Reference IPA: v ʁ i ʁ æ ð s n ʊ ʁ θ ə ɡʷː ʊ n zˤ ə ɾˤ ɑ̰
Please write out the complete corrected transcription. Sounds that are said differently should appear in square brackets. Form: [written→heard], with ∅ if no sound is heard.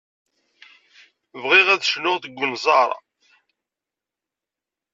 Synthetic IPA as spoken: v ʁ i ʁ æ ð [s→ʃ] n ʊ ʁ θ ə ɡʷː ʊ n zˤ [ə→ɑ] ɾˤ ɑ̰